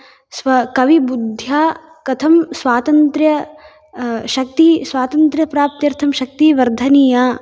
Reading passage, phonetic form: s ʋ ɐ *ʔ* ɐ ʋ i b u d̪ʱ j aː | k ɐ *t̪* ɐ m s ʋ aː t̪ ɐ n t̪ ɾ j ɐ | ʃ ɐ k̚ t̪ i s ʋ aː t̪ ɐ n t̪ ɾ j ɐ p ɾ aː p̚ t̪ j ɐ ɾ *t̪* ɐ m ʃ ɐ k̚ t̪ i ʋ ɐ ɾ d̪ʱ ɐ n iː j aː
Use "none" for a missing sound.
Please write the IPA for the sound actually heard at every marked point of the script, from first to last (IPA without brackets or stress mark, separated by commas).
k, t̪ʰ, t̪ʰ